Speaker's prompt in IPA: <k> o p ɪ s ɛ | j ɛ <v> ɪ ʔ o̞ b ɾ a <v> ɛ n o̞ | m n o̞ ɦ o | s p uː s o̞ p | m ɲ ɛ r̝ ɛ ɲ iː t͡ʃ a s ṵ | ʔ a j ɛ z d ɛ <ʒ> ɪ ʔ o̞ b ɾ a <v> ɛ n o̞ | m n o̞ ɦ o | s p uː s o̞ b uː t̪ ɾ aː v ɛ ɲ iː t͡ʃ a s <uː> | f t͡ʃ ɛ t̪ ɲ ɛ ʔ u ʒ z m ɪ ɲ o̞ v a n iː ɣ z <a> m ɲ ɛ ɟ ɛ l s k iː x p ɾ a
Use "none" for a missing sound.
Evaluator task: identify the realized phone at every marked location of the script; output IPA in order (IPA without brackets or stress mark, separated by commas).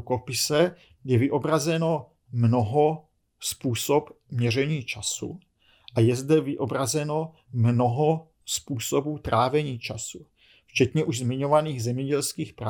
k, v, z, v, z, u, ɛ